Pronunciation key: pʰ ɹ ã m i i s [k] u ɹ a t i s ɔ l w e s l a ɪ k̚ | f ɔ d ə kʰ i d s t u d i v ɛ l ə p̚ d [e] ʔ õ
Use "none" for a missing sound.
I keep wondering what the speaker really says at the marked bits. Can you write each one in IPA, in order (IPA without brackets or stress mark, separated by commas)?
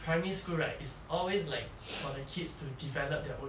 k, ɛ